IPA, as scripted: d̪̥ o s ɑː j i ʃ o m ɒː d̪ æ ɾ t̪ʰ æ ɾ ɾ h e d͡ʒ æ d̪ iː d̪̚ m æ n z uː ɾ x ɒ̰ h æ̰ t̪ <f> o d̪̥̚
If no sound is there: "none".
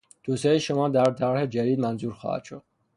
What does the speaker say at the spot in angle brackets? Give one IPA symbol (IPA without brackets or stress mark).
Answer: ʃ